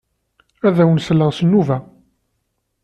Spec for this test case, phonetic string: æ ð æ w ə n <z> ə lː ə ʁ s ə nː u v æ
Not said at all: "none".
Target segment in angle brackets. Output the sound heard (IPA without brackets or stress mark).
s